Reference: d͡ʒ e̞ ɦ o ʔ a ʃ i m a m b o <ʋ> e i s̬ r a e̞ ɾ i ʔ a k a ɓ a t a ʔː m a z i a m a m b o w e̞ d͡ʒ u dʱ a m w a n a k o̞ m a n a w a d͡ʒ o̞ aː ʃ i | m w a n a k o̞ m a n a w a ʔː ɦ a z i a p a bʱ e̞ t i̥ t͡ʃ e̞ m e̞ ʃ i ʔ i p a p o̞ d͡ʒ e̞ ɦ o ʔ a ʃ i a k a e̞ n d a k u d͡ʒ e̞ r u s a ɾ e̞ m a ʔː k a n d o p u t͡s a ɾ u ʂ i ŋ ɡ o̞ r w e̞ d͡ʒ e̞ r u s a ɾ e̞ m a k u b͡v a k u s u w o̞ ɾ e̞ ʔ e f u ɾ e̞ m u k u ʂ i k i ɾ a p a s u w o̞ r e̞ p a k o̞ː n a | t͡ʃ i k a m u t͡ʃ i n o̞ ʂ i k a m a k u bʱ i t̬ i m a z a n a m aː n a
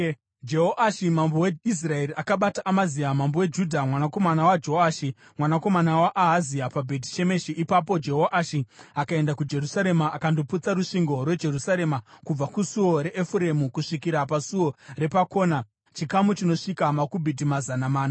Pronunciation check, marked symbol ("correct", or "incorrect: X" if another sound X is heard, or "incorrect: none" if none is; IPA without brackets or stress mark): incorrect: w